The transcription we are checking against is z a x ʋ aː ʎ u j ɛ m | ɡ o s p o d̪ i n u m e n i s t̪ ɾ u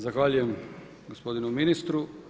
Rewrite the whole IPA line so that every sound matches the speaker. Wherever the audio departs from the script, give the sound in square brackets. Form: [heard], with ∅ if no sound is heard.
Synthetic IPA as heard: z a x ʋ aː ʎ u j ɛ m | ɡ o s p o d̪ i n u m [i] n i s t̪ ɾ u